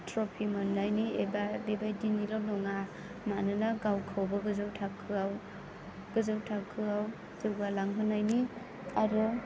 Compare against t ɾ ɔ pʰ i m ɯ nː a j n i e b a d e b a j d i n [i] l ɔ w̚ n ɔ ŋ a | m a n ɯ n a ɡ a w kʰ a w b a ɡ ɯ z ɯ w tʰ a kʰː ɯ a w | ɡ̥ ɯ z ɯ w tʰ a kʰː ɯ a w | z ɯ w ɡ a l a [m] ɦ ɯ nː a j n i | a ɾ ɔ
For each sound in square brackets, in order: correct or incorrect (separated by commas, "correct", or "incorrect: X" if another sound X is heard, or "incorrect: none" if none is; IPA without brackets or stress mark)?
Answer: correct, incorrect: ŋ